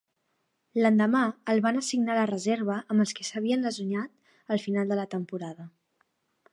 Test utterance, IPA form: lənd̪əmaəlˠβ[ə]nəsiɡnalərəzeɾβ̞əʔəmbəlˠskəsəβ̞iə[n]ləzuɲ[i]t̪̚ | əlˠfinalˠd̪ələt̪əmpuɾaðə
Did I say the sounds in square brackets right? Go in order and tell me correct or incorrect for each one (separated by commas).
incorrect, correct, incorrect